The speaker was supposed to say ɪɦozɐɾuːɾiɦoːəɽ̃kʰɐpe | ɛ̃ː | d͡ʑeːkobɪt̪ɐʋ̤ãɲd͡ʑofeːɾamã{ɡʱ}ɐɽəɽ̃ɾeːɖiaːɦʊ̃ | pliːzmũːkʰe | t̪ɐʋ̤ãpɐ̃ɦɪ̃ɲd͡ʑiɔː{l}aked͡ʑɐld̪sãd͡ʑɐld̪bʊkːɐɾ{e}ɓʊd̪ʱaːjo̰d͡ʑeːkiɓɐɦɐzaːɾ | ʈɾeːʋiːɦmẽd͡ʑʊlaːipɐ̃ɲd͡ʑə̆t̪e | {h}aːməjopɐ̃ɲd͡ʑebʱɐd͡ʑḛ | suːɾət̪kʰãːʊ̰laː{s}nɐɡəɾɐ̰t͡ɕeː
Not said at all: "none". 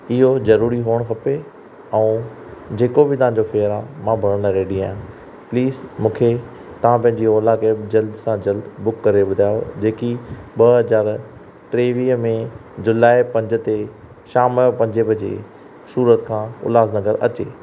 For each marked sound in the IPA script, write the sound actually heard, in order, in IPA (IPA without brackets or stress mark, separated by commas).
bʱ, l, e, ʃ, z